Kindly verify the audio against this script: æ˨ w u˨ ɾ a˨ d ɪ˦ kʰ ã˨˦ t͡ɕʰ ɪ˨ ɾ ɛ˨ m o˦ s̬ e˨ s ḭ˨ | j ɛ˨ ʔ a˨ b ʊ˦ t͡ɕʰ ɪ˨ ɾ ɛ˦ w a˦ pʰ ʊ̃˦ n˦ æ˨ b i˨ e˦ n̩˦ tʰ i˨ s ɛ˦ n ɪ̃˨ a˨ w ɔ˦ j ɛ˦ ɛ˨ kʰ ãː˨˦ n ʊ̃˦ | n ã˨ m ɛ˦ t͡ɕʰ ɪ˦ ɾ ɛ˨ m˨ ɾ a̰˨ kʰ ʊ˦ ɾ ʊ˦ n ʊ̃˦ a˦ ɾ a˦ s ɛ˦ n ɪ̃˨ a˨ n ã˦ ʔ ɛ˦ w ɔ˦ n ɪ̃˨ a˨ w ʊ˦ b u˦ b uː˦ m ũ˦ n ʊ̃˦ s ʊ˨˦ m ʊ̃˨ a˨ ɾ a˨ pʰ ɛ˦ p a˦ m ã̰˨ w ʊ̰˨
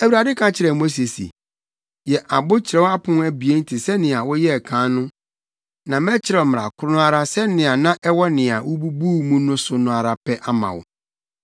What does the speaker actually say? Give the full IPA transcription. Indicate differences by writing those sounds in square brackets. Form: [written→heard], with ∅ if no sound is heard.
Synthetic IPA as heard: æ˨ w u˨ ɾ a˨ d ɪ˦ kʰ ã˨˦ t͡ɕʰ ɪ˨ ɾ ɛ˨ m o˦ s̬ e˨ s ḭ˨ | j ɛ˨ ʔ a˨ b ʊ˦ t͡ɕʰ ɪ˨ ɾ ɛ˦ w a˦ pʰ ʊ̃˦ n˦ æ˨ b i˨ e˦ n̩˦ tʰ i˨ s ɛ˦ n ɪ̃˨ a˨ w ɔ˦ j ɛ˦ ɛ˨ kʰ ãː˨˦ n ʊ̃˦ | n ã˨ m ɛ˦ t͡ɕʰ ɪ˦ ɾ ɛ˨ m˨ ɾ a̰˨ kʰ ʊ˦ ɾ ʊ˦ n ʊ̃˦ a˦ ɾ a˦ s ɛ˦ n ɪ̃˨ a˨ n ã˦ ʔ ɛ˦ w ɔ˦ n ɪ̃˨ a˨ w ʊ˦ b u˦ b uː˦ m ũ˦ n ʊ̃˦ s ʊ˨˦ [m→n] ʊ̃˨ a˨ ɾ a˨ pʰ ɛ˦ [p→ʔ] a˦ m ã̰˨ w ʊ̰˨

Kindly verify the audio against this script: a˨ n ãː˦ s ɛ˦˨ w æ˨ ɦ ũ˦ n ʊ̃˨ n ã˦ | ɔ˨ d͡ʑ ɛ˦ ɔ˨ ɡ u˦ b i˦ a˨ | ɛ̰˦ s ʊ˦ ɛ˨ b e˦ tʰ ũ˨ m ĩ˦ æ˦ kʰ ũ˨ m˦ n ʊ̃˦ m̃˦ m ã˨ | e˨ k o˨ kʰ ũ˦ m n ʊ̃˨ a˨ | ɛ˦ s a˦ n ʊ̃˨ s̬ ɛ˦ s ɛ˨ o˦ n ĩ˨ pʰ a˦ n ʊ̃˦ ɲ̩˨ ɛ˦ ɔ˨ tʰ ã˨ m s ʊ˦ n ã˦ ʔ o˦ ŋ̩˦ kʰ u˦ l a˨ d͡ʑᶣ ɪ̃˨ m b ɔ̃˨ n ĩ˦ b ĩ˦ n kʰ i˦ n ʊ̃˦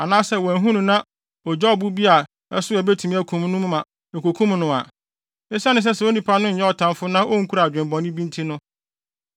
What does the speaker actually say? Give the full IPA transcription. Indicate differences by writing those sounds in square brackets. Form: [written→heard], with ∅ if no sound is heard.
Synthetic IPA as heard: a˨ n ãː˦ s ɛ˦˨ w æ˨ ɦ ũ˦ n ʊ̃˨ n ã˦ | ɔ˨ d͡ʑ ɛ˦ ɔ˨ [ɡ→b] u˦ b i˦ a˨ | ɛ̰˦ s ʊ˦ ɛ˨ b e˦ tʰ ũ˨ m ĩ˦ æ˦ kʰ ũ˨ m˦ n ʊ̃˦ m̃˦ m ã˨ | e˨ k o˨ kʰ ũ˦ m n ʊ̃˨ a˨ | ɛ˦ s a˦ n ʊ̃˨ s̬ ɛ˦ s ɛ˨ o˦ n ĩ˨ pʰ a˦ n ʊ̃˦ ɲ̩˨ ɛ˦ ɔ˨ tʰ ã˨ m [s→f] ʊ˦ n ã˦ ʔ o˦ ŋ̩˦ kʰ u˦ [l→ɾ] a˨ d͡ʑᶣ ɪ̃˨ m b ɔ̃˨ n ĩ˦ b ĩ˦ n [kʰ→tʰ] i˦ n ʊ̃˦

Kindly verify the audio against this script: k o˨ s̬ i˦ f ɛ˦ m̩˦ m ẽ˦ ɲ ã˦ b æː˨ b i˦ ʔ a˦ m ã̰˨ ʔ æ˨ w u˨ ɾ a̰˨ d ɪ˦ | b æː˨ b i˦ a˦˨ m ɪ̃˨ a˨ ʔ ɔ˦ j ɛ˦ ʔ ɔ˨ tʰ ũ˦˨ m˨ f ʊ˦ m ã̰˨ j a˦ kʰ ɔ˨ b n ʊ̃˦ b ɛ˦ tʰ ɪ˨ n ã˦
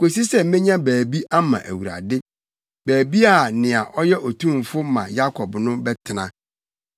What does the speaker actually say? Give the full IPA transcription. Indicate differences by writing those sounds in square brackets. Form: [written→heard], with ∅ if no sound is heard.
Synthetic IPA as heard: k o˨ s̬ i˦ [f→s] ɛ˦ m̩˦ m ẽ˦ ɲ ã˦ b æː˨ b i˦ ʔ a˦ m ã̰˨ ʔ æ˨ w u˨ ɾ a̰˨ d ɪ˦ | b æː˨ b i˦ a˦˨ [m→n] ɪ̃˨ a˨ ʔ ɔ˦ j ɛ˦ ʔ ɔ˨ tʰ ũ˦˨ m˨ f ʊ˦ m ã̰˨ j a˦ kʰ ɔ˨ b n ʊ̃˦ b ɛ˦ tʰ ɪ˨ n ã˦

